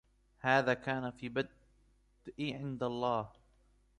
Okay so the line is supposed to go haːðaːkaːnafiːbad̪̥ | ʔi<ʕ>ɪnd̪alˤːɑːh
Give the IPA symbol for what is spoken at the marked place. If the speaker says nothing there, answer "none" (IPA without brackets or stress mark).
ʕ